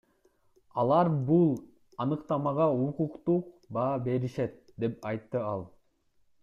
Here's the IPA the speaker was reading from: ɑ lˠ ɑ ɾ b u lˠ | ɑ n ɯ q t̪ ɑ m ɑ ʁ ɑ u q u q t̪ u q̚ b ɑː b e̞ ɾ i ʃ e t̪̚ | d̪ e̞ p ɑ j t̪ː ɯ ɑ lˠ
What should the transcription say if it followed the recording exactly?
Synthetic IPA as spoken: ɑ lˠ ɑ ɾ b u lˠ | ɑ n ɯ q t̪ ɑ m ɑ ʁ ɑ u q u q t̪ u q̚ b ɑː b e̞ ɾ i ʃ e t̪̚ | d̪ e̞ p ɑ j t̪ː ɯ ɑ lˠ